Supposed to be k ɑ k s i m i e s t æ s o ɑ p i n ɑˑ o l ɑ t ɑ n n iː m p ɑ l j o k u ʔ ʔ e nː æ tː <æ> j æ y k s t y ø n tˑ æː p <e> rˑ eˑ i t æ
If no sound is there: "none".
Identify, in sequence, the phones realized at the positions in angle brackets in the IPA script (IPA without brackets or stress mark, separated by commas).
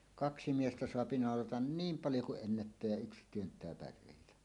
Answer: æː, æ